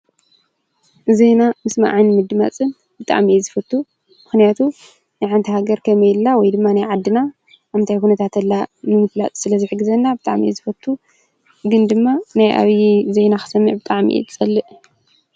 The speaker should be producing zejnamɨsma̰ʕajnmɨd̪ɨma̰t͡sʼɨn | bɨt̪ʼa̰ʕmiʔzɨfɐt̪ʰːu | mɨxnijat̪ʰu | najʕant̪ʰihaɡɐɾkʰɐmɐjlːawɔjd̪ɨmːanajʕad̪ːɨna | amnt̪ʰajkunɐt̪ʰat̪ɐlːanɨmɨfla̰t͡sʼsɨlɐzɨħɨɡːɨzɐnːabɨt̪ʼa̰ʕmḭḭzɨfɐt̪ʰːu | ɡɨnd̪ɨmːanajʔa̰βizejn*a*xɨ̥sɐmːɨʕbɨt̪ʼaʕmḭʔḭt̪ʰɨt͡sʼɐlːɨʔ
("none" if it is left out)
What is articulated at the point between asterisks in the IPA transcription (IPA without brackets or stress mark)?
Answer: a